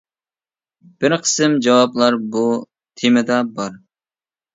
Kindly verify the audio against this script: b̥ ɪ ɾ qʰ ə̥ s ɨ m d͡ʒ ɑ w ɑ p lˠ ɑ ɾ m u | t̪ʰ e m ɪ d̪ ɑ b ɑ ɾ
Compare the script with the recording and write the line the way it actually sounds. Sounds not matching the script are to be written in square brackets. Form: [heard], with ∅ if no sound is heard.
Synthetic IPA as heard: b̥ ɪ ɾ qʰ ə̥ s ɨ m d͡ʒ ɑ w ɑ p lˠ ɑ ɾ [b] u | t̪ʰ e m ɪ d̪ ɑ b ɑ ɾ

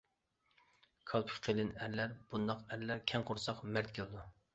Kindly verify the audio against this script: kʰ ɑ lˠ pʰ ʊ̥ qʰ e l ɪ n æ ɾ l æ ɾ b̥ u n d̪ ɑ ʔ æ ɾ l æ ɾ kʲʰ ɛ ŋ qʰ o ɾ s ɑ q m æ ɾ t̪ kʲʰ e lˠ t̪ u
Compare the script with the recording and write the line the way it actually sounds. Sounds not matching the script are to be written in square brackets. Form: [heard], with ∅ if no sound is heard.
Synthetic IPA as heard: kʰ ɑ lˠ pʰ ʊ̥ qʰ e l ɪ n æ ɾ l æ ɾ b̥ u n d̪ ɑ [q] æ ɾ l æ ɾ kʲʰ ɛ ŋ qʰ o ɾ s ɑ q m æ ɾ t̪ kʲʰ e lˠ [d̪] u

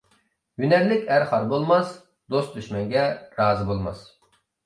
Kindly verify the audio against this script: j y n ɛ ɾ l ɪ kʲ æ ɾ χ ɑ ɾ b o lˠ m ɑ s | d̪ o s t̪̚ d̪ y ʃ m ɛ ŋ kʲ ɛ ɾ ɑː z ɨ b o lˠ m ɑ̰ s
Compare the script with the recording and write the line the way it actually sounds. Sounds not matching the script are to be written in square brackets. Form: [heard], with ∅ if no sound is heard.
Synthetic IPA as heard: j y n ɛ ɾ l ɪ kʲ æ ɾ χ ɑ ɾ b o lˠ m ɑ s | d̪ o s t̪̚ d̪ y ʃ m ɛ ŋ [ɡʲ] ɛ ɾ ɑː z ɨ b o lˠ m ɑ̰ s

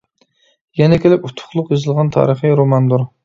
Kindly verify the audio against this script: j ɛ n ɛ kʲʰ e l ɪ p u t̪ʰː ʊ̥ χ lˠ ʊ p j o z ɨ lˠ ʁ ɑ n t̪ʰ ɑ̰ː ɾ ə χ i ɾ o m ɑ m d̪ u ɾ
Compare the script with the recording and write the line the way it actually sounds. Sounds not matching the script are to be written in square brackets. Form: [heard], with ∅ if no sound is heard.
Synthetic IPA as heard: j ɛ n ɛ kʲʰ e l ɪ p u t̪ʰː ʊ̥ χ lˠ ʊ [q] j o z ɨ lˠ ʁ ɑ n t̪ʰ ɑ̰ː ɾ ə χ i ɾ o m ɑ [n] d̪ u ɾ

